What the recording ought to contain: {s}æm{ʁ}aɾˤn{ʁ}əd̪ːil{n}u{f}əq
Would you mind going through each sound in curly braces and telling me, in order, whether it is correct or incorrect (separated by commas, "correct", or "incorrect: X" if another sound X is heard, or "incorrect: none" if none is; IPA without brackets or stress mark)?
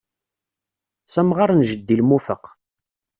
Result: correct, correct, incorrect: ʒ, incorrect: m, correct